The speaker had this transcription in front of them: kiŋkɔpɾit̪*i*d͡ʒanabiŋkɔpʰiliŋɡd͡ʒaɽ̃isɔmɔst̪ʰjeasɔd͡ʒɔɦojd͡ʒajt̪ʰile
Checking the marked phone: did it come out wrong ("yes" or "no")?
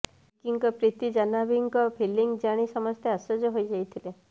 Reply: no